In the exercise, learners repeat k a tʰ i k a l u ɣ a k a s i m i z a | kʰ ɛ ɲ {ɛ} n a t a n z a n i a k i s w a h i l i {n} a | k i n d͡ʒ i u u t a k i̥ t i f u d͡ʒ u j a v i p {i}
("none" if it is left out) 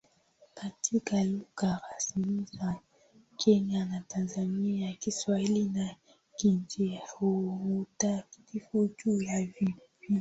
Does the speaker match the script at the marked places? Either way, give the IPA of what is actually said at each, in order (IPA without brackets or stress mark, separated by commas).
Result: a, n, i